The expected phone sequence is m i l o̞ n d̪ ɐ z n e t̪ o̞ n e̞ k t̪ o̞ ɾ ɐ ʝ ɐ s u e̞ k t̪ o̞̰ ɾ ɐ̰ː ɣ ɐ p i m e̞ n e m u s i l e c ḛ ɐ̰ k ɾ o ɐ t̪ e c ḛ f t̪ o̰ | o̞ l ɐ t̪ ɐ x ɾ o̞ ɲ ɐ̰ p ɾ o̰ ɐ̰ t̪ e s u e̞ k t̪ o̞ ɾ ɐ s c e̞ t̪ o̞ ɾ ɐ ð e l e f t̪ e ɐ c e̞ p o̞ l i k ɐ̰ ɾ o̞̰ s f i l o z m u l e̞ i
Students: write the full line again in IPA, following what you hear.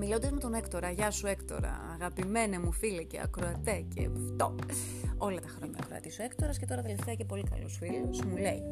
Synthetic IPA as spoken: m i l o̞ n d̪ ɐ z m e t̪ o̞ n e̞ k t̪ o̞ ɾ ɐ ʝ ɐ s u e̞ k t̪ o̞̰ ɾ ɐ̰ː ɣ ɐ p i m e̞ n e m u f i l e c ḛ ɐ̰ k ɾ o ɐ t̪ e c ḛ f t̪ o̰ | o̞ l ɐ t̪ ɐ x ɾ o̞ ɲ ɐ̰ k ɾ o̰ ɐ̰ t̪ i s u e̞ k t̪ o̞ ɾ ɐ s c e̞ t̪ o̞ ɾ ɐ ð e l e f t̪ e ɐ c e̞ p o̞ l i k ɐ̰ l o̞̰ s f i l o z m u l e̞ i